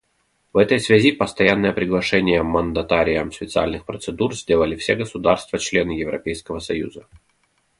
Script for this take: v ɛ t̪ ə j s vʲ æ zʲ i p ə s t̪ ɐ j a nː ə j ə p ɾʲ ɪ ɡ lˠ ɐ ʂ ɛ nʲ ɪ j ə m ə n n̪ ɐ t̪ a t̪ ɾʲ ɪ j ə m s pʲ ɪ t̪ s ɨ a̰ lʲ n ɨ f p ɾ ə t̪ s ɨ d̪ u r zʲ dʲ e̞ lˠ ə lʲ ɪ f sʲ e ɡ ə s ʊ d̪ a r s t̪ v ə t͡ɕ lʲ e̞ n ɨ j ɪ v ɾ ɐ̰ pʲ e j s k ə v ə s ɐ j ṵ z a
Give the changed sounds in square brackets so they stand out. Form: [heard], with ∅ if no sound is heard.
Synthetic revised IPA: v ɛ t̪ ə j s vʲ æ zʲ i p ə s t̪ ɐ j a nː ə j ə p ɾʲ ɪ ɡ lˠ ɐ ʂ ɛ nʲ ɪ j ə m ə n [d̪] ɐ t̪ a [∅] ɾʲ ɪ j ə m s pʲ ɪ t̪ s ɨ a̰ lʲ n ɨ [x] p ɾ ə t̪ s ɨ d̪ u r zʲ dʲ e̞ lˠ ə lʲ ɪ f sʲ e ɡ ə s ʊ d̪ a r s t̪ v ə t͡ɕ lʲ e̞ n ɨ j ɪ v ɾ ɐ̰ pʲ e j s k ə v ə s ɐ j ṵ z [ə]